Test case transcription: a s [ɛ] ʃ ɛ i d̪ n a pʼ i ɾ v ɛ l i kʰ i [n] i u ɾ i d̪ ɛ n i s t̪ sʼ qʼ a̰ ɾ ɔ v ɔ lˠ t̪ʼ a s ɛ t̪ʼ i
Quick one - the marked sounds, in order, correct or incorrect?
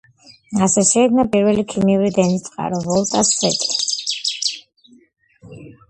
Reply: correct, incorrect: m

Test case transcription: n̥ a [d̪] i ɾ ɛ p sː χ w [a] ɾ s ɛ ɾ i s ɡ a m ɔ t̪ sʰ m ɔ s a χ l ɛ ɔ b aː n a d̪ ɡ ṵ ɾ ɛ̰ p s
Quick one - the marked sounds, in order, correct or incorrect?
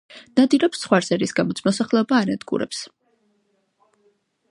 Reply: correct, correct

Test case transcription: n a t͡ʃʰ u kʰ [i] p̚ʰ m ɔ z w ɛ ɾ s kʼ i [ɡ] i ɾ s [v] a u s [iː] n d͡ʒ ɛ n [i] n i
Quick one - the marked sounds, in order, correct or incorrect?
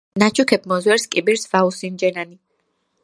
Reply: incorrect: ɛ, incorrect: b, correct, incorrect: i, incorrect: a

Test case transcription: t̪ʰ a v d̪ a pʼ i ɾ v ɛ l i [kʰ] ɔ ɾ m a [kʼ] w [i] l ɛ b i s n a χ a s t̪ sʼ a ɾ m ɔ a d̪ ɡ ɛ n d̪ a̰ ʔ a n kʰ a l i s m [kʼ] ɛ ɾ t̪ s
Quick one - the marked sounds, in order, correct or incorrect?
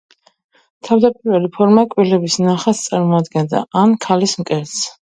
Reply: incorrect: pʰ, correct, correct, correct

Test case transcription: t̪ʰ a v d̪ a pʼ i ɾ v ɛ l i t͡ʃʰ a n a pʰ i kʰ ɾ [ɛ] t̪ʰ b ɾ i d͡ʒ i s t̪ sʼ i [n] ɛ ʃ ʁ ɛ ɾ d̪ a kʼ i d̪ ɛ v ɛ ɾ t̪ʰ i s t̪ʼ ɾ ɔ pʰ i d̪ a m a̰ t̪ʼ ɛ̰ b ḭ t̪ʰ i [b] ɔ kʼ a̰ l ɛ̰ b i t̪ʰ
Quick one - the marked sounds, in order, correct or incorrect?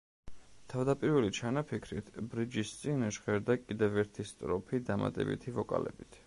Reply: incorrect: i, correct, incorrect: v

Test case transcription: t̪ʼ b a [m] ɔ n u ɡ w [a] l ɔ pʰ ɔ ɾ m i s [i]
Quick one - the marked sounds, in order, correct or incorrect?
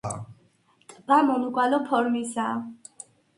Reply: correct, correct, incorrect: a

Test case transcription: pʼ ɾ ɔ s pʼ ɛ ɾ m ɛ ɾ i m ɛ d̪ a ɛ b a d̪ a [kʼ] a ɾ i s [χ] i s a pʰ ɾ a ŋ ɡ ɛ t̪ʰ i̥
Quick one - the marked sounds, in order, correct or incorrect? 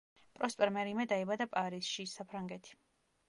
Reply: incorrect: pʼ, incorrect: ʃ

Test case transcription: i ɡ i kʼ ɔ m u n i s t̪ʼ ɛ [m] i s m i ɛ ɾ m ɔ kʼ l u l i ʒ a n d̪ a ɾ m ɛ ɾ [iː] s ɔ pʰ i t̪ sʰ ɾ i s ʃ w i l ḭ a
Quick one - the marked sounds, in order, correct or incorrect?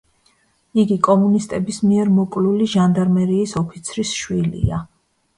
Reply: incorrect: b, correct

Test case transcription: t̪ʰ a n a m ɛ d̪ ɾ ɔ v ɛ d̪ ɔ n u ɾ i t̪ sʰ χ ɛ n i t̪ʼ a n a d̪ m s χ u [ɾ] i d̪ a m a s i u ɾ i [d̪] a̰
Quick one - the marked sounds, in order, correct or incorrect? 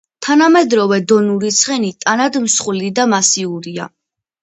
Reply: incorrect: l, incorrect: none

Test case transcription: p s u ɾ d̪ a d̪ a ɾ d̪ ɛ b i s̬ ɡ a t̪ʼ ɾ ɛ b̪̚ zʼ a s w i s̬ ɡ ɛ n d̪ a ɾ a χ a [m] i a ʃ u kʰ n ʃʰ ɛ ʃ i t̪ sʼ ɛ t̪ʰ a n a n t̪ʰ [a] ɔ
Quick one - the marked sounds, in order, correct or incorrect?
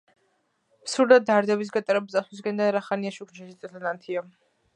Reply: incorrect: n, incorrect: i

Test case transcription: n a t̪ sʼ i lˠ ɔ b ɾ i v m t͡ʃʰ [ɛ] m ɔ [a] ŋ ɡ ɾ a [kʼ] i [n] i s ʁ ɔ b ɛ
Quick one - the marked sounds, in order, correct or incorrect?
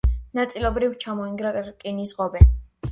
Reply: incorrect: a, incorrect: i, correct, correct

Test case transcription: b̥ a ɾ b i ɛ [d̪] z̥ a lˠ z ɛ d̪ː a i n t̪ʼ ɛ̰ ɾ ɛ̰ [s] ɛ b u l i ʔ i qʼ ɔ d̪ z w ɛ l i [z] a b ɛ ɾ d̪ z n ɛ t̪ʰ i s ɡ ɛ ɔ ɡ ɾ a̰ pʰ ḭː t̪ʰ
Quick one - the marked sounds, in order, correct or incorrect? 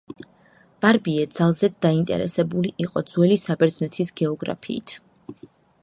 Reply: correct, correct, incorrect: s

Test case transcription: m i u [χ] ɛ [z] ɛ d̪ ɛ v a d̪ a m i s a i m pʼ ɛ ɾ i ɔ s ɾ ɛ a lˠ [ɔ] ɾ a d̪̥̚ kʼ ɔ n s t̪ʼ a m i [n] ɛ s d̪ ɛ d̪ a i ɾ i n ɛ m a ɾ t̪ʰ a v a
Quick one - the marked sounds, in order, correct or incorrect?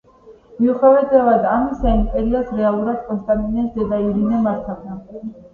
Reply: correct, incorrect: v, incorrect: u, correct

